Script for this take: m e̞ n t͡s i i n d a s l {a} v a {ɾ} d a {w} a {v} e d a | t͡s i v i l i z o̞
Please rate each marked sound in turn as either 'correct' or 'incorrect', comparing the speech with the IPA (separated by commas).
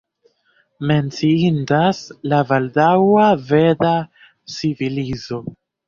correct, incorrect, correct, correct